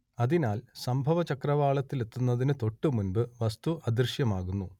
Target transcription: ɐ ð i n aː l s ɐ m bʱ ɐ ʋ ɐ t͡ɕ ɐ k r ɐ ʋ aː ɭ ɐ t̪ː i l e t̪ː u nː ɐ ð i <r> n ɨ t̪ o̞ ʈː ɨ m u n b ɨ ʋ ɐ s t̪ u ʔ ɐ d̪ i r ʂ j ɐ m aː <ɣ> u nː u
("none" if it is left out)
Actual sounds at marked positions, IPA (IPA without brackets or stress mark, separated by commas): none, ɣ